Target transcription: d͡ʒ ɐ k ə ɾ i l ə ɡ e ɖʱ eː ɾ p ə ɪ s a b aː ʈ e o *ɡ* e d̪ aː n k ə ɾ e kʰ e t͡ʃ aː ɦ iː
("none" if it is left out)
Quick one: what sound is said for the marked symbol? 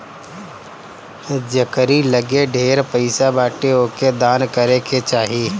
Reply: k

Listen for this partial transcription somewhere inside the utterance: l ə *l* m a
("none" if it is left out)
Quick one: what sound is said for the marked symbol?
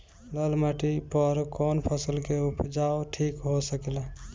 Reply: l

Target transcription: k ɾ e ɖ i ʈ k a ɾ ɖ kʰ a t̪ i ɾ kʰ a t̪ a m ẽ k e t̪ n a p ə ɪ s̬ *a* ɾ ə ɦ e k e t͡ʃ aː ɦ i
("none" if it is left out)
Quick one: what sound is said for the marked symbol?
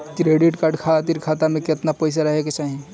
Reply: a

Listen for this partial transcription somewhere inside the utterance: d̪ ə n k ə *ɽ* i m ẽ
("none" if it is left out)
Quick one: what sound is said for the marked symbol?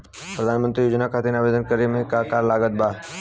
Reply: ɾ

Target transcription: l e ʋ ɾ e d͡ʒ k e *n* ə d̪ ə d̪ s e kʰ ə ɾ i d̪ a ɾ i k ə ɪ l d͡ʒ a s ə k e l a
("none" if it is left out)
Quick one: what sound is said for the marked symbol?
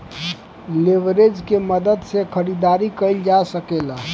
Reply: m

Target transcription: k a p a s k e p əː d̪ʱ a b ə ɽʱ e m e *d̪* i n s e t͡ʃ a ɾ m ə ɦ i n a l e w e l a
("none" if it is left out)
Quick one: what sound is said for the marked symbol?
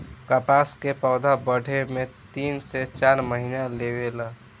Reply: t̪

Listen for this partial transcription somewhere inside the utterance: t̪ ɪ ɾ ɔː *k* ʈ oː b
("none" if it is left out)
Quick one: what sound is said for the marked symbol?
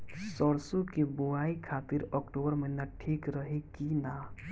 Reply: k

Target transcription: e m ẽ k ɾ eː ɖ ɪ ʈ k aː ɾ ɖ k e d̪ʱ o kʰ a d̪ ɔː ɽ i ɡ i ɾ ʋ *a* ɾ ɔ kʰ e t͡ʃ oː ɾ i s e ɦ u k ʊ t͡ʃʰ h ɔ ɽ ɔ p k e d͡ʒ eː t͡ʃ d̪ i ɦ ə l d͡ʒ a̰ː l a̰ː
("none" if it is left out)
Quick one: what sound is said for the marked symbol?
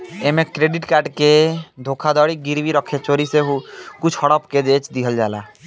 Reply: i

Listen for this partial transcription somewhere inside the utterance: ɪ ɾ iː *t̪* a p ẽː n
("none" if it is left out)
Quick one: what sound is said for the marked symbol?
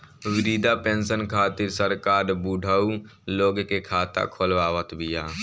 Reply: d̪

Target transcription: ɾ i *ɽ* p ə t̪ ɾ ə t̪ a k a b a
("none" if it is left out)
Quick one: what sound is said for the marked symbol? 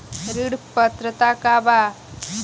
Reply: ɽ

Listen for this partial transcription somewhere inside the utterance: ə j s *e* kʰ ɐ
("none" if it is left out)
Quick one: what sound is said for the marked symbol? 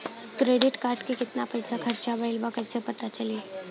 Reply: a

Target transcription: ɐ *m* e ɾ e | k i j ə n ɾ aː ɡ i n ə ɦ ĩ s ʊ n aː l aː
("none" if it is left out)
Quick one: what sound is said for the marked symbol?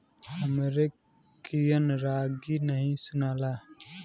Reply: m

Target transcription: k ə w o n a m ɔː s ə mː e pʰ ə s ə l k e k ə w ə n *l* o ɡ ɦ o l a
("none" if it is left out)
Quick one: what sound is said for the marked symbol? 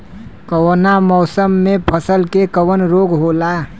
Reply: ɾ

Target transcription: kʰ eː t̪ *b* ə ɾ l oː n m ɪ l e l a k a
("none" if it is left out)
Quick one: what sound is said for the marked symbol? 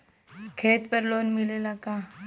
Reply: p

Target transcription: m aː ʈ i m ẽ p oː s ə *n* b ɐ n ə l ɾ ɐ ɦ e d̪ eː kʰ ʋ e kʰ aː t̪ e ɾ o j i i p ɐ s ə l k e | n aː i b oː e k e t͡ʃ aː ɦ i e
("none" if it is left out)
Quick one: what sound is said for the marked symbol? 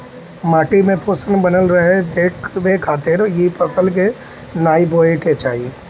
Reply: n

